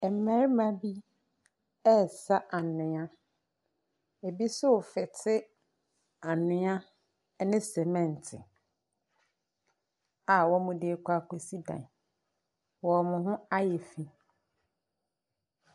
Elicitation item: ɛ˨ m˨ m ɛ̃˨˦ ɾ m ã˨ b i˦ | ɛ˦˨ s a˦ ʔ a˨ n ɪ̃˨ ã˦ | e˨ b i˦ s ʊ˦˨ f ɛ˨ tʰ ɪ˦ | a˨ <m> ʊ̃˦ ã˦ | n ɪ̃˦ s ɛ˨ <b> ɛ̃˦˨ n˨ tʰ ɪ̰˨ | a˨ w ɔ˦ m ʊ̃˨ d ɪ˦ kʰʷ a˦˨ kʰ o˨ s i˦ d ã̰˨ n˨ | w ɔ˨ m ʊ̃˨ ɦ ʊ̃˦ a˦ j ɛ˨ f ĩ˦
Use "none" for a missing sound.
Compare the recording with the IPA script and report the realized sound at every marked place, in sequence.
n, m

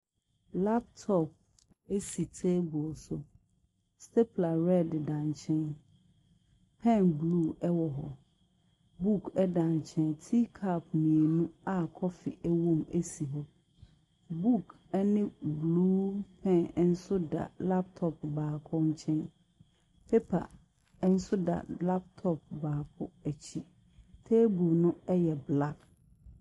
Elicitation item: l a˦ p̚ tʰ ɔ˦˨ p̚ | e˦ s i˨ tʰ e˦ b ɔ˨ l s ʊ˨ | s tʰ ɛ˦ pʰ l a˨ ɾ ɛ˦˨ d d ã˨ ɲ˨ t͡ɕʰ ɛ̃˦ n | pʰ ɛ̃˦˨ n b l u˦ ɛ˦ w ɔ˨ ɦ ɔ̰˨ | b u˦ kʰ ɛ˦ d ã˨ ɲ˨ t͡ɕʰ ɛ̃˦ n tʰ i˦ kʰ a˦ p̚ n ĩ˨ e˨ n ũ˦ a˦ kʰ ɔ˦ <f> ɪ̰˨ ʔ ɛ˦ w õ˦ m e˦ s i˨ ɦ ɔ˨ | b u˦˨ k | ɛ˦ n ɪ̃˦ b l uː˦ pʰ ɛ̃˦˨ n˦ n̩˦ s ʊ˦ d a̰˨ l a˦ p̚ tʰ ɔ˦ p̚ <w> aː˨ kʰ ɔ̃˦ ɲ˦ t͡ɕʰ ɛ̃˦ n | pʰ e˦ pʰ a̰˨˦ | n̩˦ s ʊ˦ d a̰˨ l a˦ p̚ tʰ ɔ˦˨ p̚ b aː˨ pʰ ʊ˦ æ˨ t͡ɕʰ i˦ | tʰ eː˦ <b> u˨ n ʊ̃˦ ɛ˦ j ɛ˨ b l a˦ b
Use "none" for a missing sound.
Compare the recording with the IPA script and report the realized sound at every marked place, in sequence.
f, b, b

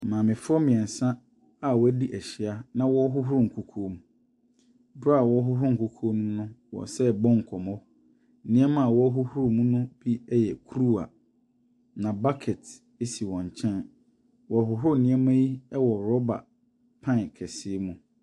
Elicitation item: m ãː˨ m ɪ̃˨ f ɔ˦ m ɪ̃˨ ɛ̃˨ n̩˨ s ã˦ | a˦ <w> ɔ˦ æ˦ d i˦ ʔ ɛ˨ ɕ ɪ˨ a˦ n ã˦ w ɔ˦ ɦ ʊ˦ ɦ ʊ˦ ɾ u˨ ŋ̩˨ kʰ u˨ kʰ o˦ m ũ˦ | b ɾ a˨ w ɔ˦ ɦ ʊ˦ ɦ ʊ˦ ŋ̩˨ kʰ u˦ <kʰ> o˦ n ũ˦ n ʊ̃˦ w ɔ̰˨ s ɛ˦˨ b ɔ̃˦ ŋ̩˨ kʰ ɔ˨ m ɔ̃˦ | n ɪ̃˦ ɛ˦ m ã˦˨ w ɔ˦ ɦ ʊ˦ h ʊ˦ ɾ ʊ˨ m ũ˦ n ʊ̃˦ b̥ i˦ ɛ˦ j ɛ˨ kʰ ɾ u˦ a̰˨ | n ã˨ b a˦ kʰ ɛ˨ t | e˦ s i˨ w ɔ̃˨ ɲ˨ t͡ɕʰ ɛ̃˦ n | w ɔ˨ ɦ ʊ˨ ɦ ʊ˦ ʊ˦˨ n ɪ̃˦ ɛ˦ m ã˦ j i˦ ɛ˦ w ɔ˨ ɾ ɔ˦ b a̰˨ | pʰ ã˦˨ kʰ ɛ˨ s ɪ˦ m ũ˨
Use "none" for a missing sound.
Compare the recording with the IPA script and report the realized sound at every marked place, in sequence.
w, kʰ

